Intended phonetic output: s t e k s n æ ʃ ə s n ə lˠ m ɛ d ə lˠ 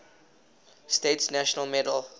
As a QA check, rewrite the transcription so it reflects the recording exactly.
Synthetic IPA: s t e t s n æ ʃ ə n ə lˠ m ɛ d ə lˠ